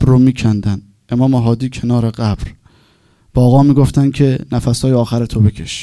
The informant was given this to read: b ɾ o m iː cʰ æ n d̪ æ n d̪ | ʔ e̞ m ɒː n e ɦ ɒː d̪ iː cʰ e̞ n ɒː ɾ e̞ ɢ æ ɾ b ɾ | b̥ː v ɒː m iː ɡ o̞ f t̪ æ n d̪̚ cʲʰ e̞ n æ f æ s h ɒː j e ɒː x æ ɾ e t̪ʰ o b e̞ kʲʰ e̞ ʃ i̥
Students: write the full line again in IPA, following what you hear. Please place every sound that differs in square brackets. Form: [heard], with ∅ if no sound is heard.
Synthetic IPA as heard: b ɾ o m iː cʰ æ n d̪ æ n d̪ | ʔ e̞ m ɒː [m] e ɦ ɒː d̪ iː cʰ e̞ n ɒː ɾ e̞ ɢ æ [∅] b ɾ | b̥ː [ɣ] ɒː m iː ɡ o̞ f t̪ æ n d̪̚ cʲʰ e̞ n æ f æ s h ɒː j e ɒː x æ ɾ e t̪ʰ o b e̞ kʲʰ e̞ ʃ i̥